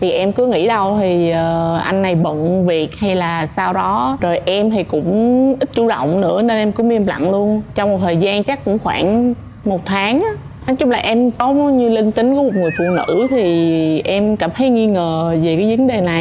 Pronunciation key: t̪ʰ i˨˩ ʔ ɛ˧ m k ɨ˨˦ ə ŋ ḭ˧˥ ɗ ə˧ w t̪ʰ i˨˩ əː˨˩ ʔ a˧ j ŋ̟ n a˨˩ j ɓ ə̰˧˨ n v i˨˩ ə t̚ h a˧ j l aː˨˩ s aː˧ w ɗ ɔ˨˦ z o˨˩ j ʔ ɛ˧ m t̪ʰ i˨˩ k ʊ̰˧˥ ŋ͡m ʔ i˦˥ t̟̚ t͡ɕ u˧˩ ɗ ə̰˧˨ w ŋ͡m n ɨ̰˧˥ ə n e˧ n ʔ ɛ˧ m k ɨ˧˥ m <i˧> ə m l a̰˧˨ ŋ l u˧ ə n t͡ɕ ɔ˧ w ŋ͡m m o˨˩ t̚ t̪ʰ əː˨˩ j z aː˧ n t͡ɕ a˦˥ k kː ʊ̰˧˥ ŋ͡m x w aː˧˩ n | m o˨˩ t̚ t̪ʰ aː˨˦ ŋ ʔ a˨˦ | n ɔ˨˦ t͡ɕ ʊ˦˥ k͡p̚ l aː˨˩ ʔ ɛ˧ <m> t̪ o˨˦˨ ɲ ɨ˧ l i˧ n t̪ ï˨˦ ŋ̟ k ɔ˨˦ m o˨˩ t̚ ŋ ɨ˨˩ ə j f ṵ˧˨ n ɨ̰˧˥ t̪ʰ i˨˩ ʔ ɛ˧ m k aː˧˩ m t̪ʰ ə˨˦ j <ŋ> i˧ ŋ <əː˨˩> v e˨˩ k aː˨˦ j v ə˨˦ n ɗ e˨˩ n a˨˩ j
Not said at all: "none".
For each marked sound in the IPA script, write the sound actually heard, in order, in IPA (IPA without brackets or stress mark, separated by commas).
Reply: i˧, m, ŋ, əː˨˩